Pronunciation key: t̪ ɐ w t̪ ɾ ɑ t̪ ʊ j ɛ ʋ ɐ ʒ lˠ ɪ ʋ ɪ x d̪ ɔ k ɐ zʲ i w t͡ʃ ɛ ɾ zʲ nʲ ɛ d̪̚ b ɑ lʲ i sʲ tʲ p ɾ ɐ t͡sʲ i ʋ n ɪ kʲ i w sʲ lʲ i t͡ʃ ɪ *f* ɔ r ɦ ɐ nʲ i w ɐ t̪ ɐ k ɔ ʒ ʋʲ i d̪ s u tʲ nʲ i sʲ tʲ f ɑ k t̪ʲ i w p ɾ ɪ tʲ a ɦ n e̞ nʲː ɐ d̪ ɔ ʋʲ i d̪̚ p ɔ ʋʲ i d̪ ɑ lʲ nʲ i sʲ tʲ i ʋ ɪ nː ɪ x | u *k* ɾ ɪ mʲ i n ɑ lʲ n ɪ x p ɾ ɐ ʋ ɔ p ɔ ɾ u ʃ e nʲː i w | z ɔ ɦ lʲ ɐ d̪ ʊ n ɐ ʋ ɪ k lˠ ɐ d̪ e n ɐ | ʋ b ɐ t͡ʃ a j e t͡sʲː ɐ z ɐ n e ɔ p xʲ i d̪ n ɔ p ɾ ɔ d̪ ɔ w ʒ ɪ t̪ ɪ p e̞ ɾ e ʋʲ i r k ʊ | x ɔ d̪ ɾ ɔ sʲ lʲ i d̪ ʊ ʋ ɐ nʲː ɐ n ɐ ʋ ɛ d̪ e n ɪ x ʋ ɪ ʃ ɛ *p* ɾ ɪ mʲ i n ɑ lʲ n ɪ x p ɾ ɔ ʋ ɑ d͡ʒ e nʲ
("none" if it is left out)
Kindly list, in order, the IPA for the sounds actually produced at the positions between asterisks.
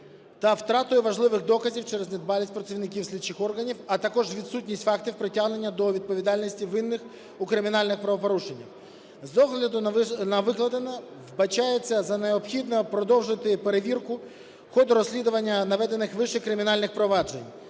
x, k, k

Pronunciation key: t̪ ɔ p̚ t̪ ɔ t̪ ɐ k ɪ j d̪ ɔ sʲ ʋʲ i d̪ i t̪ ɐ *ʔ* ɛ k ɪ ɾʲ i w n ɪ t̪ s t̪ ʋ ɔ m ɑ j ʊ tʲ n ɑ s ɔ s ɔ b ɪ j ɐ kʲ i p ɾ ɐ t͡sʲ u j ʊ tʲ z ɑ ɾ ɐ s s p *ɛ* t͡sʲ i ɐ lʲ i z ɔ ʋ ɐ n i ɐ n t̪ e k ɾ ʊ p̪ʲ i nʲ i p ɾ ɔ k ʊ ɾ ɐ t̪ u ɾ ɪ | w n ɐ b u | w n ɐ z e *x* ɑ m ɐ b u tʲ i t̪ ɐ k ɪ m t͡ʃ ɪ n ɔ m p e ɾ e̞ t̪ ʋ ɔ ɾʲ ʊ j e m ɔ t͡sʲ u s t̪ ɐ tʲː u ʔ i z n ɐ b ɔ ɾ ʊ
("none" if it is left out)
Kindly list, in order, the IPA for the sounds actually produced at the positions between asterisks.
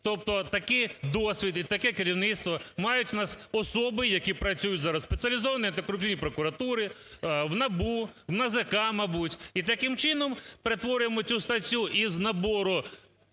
k, e, k

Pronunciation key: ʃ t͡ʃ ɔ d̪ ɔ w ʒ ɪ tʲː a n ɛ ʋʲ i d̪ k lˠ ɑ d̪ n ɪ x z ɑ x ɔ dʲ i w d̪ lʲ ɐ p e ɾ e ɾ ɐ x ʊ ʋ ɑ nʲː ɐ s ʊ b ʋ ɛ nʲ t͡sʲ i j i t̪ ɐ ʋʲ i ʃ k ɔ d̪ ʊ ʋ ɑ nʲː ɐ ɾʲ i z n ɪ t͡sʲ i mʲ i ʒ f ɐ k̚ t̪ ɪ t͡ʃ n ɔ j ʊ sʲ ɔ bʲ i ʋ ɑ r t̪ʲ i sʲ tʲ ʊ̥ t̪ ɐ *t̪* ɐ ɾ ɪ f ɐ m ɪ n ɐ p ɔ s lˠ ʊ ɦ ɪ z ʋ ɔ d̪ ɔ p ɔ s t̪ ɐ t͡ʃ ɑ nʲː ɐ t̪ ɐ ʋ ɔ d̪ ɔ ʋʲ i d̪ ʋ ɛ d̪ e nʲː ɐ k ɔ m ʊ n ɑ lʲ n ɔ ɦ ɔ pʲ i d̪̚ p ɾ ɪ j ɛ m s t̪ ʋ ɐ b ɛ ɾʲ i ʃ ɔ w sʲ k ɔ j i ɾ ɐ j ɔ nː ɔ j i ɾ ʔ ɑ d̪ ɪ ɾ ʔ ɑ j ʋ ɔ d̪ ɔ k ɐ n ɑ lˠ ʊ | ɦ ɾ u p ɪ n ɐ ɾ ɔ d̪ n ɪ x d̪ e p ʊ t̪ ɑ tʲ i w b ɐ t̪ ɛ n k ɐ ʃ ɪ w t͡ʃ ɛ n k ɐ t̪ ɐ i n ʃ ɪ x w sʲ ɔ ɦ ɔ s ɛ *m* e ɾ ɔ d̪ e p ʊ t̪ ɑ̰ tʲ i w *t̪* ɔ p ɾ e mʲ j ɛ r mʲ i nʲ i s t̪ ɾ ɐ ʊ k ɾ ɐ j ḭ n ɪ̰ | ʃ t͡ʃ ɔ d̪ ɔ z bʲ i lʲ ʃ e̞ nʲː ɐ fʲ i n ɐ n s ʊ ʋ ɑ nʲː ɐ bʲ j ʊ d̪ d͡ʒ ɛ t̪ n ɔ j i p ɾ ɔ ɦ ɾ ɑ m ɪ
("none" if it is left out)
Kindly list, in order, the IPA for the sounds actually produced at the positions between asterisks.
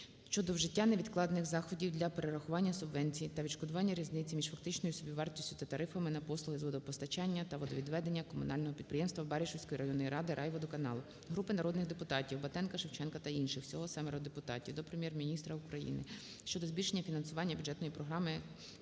t̪, m, d̪

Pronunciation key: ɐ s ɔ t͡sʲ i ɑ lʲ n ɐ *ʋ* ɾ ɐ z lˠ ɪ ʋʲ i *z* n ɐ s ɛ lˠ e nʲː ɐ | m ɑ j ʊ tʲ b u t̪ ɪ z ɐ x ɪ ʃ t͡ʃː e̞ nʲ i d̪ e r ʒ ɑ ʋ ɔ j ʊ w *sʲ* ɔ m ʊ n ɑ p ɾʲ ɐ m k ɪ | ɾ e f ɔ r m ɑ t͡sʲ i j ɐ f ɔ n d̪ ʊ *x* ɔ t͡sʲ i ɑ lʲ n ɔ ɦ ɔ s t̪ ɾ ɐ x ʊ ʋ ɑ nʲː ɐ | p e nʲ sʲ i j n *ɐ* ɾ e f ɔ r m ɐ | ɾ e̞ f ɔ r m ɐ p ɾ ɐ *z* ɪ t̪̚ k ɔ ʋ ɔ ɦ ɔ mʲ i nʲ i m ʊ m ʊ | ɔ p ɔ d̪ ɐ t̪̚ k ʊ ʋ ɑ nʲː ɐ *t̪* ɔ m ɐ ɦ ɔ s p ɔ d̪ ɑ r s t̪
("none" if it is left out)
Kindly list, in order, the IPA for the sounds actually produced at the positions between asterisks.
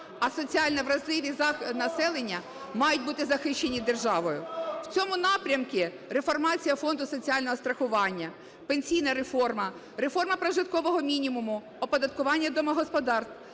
ʋ, z, t͡sʲ, s, ɐ, ʒ, d̪

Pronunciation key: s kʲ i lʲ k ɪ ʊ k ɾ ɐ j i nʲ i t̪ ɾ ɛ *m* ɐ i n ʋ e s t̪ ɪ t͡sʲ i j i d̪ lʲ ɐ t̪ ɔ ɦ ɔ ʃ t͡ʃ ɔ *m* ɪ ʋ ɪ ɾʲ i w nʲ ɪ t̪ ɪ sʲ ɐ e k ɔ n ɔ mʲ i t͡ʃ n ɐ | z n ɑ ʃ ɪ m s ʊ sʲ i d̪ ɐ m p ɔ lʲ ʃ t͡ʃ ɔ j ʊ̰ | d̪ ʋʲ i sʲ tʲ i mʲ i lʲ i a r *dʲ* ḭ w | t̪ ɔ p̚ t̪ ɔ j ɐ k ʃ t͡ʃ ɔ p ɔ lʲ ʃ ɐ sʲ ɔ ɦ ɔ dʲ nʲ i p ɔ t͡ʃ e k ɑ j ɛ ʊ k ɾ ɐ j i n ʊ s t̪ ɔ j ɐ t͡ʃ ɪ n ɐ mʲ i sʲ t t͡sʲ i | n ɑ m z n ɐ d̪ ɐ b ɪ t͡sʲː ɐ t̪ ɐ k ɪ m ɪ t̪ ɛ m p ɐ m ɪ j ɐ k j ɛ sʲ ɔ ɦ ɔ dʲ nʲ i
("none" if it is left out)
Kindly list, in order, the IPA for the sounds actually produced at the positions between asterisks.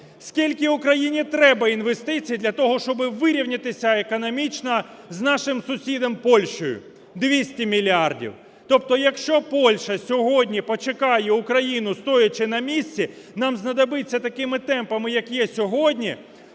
b, b, dʲ

